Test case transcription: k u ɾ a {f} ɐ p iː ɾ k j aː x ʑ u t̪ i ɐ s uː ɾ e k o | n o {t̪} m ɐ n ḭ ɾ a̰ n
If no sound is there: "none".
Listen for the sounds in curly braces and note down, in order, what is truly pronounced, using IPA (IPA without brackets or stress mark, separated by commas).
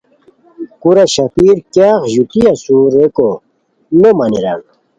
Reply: ɕ, none